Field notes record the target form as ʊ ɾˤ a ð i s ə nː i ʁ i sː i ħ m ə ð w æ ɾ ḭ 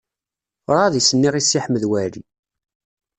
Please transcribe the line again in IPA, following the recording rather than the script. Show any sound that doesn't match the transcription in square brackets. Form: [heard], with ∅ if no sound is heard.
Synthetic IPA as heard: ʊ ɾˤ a ð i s ə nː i ʁ i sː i ħ m ə ð w æ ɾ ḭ